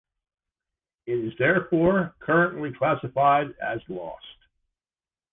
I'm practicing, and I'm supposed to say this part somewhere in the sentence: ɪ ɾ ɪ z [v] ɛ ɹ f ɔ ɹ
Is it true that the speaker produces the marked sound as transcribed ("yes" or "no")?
no